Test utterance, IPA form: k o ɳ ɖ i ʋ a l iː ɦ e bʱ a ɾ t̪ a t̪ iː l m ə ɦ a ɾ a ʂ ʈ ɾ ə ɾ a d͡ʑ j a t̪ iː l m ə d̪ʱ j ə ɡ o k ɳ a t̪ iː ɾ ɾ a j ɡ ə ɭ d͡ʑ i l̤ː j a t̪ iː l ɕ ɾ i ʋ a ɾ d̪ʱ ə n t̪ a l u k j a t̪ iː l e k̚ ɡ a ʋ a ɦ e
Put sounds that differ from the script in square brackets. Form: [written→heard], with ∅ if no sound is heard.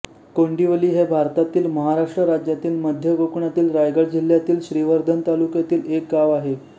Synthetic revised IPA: k o ɳ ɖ i ʋ [a→ə] l iː ɦ e bʱ a ɾ t̪ a t̪ iː l m ə ɦ a ɾ a ʂ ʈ ɾ ə ɾ a d͡ʑ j a t̪ iː l m ə d̪ʱ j ə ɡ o k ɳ a t̪ iː [ɾ→l] ɾ a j ɡ ə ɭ d͡ʑ i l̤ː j a t̪ iː l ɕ ɾ i ʋ [a→ə] ɾ d̪ʱ ə n t̪ a l u k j a t̪ iː l e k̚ ɡ a ʋ a ɦ e